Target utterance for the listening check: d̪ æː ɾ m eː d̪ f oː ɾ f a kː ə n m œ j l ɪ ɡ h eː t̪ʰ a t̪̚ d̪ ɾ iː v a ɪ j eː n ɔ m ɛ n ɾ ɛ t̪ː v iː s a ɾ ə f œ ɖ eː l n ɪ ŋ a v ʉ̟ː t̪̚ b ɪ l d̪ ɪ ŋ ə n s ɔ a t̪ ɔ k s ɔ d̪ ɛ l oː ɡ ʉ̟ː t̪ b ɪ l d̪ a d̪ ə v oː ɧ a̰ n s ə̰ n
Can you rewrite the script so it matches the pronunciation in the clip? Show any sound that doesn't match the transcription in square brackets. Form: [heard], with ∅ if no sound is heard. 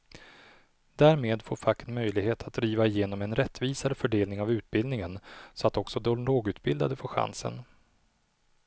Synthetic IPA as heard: d̪ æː ɾ m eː d̪ f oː ɾ f a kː ə n m œ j l ɪ ɡ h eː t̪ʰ a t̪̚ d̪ ɾ iː v a ɪ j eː n ɔ m ɛ n ɾ ɛ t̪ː v iː s a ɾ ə f œ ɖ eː l n ɪ ŋ a v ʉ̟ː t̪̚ b ɪ l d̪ ɪ ŋ ə n s ɔ a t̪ ɔ k s ɔ d̪ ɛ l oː ɡ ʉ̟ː t̪ b ɪ l d̪ a d̪ ə [f] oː ɧ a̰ n s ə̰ n